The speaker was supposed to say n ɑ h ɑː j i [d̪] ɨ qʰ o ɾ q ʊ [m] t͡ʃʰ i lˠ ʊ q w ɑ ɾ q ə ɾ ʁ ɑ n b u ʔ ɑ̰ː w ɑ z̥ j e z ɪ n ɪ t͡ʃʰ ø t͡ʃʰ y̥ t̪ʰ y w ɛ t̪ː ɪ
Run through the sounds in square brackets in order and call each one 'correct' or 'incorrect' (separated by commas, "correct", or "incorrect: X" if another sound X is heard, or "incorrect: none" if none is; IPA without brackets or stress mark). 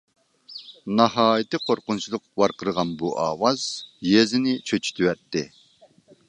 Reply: incorrect: t̪, incorrect: n